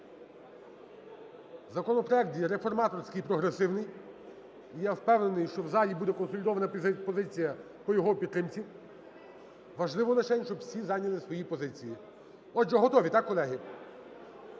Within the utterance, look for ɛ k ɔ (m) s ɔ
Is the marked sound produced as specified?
no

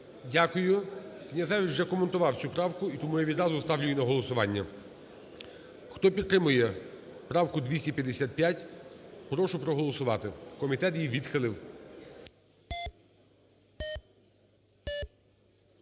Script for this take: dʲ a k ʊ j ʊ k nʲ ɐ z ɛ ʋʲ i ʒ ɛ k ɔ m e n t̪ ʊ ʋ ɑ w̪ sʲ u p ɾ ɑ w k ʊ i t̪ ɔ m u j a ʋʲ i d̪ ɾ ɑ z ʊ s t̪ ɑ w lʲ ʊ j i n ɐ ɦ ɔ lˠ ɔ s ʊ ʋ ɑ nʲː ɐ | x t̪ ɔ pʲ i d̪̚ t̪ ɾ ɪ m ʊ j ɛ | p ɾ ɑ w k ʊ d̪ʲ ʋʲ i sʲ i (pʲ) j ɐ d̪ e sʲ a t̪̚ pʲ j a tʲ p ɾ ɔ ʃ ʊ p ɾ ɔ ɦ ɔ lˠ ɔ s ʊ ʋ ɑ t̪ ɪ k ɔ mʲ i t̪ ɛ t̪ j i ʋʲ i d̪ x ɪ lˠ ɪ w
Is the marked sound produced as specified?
yes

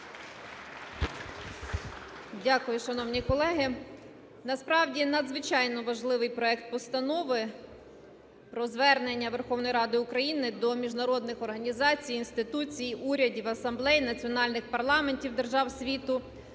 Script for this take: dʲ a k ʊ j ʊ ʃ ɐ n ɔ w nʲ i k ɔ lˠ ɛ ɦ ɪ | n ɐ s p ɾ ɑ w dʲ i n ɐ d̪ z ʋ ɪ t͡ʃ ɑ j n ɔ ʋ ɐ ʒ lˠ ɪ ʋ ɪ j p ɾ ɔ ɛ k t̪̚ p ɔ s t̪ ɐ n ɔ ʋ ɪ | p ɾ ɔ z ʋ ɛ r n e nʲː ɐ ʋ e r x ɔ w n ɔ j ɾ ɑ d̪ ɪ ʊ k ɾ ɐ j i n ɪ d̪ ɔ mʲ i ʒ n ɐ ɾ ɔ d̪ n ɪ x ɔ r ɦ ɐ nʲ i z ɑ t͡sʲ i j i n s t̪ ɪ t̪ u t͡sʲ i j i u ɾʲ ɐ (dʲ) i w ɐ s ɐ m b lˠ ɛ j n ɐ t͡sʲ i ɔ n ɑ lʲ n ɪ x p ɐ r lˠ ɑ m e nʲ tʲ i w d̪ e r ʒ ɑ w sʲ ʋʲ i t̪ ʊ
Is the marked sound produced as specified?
yes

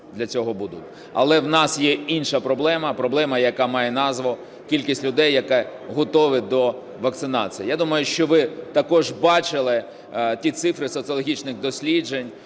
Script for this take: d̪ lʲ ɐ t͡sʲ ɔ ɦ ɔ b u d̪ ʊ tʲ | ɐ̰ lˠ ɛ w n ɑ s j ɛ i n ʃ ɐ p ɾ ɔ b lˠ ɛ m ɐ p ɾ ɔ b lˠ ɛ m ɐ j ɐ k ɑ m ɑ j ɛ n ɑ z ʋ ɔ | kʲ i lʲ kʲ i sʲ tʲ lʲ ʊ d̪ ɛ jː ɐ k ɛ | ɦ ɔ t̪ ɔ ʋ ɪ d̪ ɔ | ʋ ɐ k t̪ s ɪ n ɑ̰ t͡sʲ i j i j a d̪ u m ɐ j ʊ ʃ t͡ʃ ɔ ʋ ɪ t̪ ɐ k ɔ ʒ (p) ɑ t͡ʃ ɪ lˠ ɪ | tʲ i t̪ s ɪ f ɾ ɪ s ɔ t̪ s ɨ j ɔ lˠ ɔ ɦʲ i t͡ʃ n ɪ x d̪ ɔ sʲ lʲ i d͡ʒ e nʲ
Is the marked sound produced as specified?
no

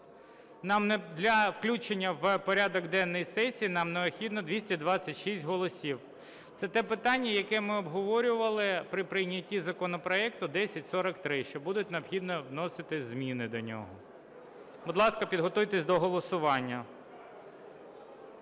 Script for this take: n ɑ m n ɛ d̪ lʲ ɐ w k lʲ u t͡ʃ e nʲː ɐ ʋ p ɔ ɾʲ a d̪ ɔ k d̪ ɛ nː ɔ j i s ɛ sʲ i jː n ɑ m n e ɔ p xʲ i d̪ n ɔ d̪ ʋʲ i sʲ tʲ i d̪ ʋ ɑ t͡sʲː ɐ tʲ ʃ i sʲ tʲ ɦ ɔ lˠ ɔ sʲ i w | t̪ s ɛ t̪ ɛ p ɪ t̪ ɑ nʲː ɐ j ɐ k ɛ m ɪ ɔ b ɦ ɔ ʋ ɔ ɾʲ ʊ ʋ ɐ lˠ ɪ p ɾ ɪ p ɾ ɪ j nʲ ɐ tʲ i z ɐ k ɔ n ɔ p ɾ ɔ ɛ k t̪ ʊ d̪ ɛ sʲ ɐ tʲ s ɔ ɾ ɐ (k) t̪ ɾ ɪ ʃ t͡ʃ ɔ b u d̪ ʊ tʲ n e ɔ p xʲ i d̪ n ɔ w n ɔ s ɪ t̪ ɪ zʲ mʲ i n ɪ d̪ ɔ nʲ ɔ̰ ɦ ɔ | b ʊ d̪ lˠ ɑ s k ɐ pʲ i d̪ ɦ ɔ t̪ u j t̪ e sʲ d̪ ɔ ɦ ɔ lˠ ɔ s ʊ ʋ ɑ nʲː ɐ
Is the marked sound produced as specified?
yes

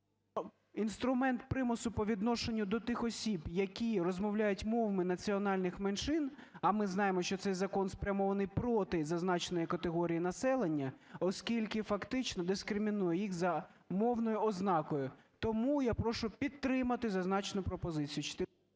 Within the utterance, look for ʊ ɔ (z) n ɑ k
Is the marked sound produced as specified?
yes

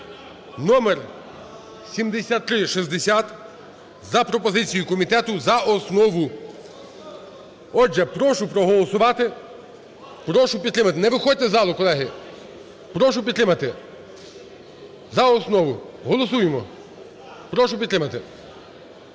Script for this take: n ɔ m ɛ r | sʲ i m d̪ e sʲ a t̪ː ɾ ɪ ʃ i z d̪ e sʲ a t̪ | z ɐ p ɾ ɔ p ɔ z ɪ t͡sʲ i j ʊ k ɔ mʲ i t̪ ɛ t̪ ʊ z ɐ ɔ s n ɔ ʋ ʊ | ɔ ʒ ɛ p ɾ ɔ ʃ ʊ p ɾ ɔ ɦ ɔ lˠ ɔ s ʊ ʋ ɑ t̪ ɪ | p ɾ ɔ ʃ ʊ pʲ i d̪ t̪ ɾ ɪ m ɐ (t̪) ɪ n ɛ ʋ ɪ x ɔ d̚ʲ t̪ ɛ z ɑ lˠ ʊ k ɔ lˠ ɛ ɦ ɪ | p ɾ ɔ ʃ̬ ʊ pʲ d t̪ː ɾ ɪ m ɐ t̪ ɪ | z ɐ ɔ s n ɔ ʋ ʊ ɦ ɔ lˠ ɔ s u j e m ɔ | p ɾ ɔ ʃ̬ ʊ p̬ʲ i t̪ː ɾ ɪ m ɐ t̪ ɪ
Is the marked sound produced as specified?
yes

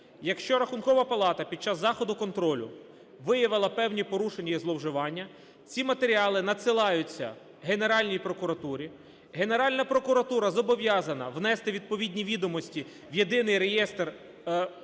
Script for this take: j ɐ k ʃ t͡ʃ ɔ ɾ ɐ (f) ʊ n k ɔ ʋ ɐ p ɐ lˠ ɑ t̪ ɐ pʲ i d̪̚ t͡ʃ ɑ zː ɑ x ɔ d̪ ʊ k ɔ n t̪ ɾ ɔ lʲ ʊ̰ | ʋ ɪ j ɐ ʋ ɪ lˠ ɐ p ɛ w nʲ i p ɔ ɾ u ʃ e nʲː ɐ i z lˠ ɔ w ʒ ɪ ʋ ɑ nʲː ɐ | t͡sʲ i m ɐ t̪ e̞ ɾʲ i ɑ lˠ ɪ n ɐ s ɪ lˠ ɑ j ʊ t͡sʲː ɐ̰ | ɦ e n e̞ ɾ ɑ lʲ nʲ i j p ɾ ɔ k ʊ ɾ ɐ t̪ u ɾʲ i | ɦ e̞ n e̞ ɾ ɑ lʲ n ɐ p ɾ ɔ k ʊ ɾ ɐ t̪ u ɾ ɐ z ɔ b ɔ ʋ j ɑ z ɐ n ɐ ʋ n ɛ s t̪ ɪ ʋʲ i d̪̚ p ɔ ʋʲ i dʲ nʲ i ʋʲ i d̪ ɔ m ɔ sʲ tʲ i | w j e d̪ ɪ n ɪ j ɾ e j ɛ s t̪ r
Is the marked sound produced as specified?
no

